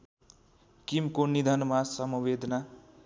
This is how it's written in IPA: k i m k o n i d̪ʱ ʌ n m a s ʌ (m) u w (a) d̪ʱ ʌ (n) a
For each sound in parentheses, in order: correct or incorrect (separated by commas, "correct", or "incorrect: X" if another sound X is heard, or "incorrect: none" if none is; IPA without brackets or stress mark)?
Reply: correct, incorrect: e, correct